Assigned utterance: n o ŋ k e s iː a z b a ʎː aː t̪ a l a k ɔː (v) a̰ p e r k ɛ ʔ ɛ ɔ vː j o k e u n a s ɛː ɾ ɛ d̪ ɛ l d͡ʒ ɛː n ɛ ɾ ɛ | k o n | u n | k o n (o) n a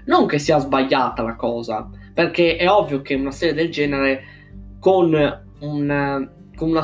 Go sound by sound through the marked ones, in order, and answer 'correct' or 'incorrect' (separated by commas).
incorrect, incorrect